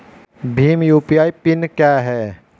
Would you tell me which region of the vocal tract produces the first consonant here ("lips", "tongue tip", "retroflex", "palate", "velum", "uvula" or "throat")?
lips